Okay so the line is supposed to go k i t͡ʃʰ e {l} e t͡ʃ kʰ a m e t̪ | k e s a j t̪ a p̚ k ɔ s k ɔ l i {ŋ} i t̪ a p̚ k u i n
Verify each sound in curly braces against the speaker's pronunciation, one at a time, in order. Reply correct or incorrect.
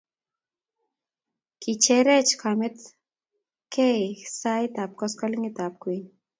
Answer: incorrect: ɾ, correct

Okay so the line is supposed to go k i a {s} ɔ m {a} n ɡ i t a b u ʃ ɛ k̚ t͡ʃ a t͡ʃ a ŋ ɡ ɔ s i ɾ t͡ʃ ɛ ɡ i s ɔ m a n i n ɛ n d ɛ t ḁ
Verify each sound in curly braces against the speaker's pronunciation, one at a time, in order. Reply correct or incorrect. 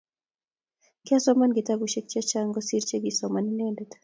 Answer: correct, correct

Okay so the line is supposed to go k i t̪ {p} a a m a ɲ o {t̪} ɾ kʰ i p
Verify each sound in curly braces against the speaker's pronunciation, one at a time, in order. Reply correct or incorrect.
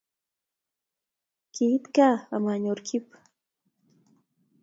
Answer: incorrect: k, incorrect: none

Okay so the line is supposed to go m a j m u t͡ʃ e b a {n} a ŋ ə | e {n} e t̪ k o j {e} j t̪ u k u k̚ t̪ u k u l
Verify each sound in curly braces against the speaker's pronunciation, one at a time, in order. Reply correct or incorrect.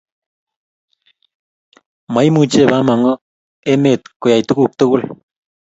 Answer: incorrect: m, incorrect: m, incorrect: a

